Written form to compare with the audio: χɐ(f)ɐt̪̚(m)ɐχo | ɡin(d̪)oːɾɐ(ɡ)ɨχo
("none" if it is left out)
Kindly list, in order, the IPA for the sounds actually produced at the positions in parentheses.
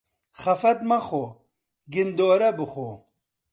f, m, d̪, b

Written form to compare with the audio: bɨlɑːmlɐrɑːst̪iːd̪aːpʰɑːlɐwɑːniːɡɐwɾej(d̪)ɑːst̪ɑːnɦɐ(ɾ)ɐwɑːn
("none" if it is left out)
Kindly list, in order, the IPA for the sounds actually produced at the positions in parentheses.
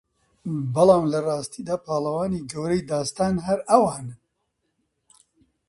d̪, ɾ

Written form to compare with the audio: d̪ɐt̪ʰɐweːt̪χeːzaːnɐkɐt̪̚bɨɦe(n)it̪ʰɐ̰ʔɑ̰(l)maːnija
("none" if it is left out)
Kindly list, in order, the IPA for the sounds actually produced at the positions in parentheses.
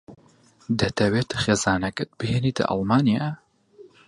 n, l

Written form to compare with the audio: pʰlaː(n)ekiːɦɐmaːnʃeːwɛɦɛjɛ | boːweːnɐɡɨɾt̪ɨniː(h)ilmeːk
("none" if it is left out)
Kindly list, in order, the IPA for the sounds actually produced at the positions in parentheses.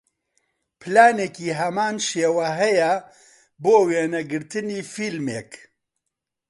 n, f

